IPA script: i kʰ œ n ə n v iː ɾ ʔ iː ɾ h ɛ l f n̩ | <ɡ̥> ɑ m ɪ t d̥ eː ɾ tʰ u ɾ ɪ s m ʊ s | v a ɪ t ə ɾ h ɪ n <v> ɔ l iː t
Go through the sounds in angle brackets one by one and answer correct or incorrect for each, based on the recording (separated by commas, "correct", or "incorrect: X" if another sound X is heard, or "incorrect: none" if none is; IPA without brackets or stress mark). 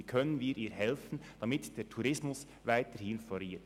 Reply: incorrect: d̥, incorrect: f